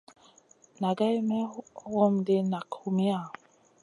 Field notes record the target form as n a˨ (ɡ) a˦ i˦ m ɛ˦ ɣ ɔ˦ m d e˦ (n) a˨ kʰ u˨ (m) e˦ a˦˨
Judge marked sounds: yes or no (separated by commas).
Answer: yes, yes, yes